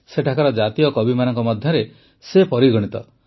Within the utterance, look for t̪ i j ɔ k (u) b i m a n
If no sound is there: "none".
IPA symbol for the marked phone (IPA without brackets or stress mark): ɔ